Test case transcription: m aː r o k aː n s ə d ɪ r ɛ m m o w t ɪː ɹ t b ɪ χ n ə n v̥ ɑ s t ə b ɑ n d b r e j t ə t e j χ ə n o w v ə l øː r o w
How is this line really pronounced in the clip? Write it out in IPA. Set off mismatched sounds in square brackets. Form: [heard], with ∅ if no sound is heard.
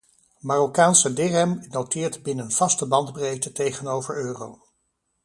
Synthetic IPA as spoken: m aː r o k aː n s ə d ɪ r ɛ m [n] o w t ɪː ɹ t b ɪ [∅] n ə n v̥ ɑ s t ə b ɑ n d b r e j t ə t e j χ ə n o w v ə [ɹ] øː r o w